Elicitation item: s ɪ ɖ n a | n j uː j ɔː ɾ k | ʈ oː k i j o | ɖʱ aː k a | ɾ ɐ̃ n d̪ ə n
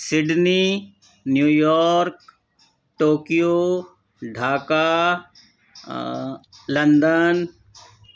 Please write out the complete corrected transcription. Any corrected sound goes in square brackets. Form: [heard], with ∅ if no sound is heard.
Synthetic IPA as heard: s ɪ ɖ n [i] | n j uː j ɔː ɾ k | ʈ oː k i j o | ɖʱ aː k a | [l] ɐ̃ n d̪ ə n